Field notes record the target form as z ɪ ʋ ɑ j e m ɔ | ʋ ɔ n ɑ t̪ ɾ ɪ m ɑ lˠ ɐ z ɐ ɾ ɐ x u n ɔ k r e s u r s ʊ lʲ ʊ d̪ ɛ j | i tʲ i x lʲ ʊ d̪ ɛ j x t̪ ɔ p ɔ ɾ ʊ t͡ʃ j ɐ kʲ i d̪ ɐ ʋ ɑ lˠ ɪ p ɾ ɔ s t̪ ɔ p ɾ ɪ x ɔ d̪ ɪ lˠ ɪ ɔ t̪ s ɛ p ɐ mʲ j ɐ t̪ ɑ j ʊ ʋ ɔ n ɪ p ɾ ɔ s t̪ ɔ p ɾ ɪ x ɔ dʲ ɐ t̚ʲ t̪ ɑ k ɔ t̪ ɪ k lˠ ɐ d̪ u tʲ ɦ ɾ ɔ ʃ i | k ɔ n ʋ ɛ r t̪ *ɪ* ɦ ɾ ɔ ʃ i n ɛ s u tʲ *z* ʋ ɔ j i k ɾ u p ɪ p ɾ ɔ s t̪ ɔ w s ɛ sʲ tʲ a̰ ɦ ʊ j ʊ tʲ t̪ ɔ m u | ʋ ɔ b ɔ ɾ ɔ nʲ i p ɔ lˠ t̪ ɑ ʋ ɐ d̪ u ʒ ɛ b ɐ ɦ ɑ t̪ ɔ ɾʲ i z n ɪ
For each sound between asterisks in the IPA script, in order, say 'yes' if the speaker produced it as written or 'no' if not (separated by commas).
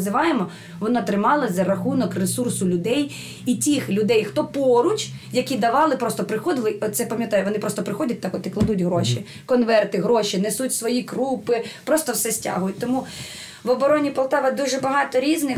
yes, no